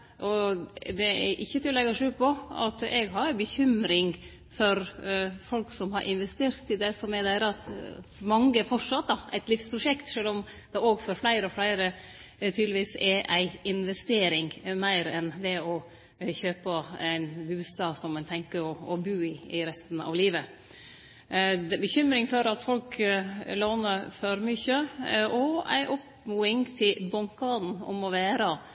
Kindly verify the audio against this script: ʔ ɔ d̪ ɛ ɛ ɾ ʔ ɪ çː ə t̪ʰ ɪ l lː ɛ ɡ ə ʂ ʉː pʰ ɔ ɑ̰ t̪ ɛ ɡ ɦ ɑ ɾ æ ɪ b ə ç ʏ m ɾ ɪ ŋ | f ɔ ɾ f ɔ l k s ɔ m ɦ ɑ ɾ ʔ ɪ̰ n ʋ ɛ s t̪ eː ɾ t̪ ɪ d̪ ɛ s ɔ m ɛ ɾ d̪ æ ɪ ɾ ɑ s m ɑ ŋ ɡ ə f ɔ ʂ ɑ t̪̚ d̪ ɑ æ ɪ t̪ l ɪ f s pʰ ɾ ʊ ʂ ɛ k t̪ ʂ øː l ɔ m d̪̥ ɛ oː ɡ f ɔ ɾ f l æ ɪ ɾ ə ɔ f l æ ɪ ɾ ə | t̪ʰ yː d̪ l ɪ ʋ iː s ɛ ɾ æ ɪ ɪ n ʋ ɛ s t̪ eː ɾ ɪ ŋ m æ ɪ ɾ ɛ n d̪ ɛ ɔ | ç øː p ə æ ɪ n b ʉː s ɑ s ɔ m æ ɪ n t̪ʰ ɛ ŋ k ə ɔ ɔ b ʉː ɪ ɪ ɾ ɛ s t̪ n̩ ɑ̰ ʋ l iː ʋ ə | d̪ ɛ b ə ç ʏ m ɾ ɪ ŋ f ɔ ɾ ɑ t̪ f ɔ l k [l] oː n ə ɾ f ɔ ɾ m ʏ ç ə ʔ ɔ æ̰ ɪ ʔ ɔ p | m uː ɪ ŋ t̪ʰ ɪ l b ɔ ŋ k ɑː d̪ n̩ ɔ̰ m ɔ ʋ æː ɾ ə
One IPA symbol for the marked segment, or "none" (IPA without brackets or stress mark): l